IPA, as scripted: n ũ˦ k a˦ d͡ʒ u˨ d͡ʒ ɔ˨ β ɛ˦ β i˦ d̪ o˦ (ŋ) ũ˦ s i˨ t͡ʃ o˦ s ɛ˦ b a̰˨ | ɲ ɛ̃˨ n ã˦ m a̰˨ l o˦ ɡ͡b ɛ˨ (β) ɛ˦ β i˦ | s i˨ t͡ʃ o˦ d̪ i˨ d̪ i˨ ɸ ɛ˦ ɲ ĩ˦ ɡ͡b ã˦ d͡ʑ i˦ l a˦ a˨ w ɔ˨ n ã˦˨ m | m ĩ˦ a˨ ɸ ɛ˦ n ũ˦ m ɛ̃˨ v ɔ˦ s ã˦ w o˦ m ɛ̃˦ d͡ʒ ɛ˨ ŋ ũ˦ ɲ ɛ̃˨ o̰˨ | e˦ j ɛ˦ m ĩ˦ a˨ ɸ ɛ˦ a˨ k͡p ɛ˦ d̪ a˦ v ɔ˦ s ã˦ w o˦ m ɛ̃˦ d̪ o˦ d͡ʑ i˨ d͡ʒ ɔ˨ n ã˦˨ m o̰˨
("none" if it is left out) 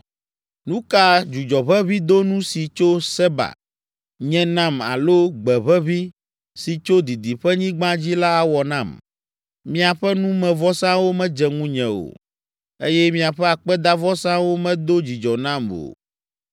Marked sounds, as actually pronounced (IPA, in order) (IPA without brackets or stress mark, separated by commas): n, β